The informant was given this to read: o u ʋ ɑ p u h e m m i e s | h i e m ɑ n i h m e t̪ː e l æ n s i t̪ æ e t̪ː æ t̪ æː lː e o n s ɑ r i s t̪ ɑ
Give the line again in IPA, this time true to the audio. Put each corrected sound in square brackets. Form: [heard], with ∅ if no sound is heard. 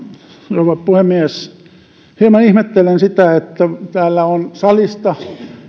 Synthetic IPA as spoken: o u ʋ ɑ p u h e m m i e s | h i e m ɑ n i h m e t̪ː e l [e] n s i t̪ æ e t̪ː æ t̪ æː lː [æ] o n s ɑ [l] i s t̪ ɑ